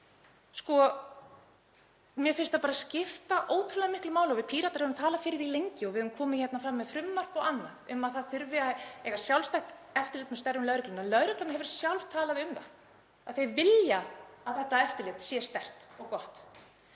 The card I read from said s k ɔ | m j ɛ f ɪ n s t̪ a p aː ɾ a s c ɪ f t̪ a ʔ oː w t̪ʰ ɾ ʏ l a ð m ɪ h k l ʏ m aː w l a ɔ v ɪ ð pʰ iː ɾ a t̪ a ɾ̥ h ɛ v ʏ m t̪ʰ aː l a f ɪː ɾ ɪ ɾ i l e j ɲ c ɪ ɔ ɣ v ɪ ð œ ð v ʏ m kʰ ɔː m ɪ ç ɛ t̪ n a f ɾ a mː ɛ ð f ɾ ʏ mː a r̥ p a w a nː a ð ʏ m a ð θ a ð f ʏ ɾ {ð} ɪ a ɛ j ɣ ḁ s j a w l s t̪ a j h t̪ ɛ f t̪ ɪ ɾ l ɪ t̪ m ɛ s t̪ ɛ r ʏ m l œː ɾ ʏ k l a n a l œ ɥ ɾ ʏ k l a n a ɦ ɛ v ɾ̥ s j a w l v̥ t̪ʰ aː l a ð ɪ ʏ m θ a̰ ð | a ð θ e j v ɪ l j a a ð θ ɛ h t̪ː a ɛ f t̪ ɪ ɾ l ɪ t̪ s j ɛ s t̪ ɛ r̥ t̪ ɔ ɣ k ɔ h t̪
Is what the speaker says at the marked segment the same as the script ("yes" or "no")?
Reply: no